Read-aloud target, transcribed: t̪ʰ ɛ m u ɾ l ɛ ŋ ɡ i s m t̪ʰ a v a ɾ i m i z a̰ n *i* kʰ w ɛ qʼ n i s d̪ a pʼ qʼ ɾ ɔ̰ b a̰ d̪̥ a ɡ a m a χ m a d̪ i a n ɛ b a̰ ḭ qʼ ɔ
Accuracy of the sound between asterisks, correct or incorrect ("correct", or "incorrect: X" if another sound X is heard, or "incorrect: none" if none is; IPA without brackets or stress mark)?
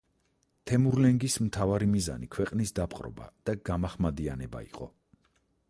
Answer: correct